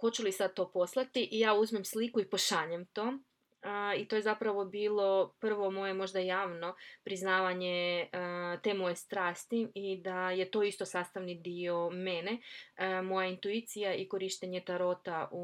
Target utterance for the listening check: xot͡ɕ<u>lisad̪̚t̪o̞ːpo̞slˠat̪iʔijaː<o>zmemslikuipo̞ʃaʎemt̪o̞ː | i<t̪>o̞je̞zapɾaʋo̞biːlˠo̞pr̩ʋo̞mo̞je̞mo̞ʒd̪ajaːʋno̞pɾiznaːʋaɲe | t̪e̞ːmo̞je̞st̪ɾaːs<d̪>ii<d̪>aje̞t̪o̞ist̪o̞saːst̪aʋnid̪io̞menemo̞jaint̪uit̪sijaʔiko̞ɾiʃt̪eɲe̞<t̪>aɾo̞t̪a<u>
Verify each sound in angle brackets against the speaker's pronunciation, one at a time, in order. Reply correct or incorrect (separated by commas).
correct, incorrect, correct, incorrect, correct, correct, correct